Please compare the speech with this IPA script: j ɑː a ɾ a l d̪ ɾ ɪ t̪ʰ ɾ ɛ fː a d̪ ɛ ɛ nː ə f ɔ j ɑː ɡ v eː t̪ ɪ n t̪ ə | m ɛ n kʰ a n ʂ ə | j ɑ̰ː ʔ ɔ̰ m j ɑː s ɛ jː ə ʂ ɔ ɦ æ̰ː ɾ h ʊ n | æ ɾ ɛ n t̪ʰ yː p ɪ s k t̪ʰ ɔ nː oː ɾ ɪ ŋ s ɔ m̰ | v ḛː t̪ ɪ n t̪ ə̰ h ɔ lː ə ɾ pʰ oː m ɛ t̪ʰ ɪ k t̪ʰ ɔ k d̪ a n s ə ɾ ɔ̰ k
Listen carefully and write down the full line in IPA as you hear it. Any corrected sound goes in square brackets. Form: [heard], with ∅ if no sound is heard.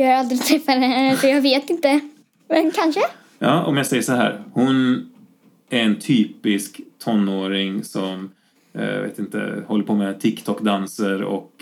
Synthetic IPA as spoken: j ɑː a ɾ a l d̪ ɾ ɪ t̪ʰ ɾ ɛ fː a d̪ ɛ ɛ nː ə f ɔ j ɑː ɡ v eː t̪ ɪ n t̪ ə | m ɛ n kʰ a n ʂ ə | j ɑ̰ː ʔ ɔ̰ m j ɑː s ɛ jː ə ʂ ɔ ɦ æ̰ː ɾ h ʊ n | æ ɾ ɛ n t̪ʰ yː p ɪ s k t̪ʰ ɔ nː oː ɾ ɪ ŋ s ɔ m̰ | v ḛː t̪ ɪ n t̪ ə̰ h ɔ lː ə ɾ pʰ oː m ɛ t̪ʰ ɪ k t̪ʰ ɔ k d̪ a n s ə ɾ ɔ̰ k